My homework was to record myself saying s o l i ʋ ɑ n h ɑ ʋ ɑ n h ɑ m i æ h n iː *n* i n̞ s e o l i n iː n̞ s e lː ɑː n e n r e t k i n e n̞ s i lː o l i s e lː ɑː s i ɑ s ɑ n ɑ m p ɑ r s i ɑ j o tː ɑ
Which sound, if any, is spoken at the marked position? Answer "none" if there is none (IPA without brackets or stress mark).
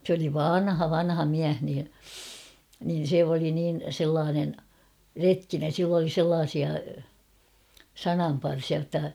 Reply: n